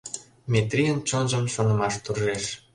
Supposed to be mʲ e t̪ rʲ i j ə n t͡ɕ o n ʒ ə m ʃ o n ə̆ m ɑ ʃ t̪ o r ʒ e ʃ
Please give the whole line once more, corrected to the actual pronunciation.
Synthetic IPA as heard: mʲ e t̪ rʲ i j ə n t͡ɕ o n ʒ ə m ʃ o n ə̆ m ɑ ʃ t̪ u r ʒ e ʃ